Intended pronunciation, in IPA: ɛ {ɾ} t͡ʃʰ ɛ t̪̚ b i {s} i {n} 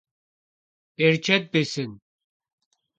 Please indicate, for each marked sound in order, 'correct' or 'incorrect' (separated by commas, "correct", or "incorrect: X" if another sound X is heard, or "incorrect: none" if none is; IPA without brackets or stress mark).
correct, correct, correct